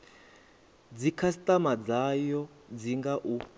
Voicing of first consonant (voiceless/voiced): voiced